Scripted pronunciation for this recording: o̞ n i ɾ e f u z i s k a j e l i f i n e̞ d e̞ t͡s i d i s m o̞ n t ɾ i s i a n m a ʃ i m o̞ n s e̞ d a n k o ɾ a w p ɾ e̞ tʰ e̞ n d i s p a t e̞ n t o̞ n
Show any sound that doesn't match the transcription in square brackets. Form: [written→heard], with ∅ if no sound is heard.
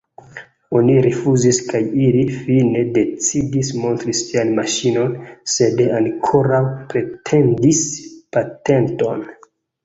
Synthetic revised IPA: o̞ n i ɾ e f u z i s k a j [e→i] l i f i n e̞ d e̞ t͡s i d i s m o̞ n t ɾ i s i a n m a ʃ i [m→n] o̞ n s e̞ d a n [k→kʰ] o ɾ a w p ɾ e̞ tʰ e̞ n d i s p a t e̞ n t o̞ n